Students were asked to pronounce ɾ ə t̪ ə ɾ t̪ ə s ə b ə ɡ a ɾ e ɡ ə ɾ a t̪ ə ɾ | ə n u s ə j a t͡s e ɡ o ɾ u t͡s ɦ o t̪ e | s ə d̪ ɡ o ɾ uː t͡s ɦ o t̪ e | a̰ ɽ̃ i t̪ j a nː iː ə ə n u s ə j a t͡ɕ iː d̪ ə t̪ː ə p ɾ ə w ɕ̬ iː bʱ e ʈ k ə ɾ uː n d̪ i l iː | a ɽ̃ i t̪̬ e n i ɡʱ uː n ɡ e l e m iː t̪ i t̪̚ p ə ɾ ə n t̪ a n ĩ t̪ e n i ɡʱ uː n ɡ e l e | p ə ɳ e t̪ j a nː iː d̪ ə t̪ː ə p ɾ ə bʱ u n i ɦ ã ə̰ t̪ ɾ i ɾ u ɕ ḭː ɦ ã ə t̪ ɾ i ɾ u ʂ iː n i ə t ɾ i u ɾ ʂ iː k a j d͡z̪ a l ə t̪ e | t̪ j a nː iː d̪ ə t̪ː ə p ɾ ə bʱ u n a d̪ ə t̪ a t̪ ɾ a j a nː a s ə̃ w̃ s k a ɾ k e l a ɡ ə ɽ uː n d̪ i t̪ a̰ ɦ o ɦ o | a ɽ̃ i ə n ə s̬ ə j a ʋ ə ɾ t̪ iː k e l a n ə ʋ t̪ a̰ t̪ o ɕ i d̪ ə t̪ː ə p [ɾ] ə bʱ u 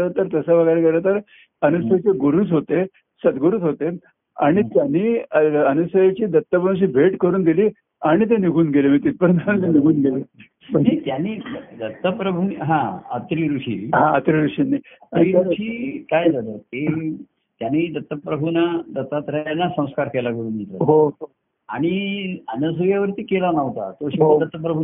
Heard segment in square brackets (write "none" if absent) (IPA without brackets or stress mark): ɾ